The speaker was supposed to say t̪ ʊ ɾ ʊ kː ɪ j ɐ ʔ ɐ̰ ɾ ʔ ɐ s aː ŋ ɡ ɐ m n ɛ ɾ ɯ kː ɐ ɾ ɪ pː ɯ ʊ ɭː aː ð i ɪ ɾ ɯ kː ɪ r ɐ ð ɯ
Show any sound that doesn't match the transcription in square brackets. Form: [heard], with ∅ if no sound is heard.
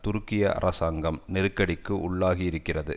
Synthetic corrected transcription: t̪ ʊ ɾ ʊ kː ɪ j ɐ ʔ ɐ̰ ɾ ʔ ɐ s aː ŋ ɡ ɐ m n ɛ ɾ ɯ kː ɐ [ɽ] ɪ [kː] ɯ ʊ ɭː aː [ɣ] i ɪ ɾ ɯ kː ɪ r ɐ ð ɯ